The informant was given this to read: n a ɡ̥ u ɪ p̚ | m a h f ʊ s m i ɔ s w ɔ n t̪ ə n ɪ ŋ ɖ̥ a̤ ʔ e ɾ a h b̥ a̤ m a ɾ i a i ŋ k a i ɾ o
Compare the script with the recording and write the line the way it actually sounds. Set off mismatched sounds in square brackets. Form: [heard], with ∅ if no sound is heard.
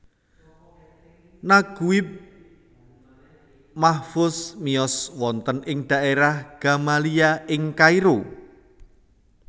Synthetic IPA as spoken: n a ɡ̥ u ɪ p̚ | m a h f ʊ s m i ɔ s w ɔ n t̪ ə n ɪ ŋ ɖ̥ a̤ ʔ e ɾ a h [ɡ̥] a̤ m a [l] i a [ɪ] ŋ k a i ɾ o